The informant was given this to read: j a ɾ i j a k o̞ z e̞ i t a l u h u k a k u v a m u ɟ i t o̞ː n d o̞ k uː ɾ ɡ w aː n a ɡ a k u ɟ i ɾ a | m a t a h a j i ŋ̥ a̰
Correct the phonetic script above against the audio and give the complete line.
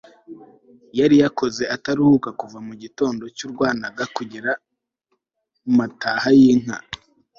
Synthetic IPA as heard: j a ɾ i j a k o̞ z e̞ a t a ɾ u h u k a k u v a m u ɟ i t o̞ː n d o̞ c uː ɾ ɡ w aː n a ɡ a k u ɟ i ɾ a | m a t a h a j i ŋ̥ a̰